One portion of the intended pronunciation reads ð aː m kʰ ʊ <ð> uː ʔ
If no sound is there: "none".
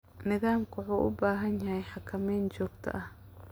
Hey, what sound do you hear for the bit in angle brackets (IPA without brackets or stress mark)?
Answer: ʕ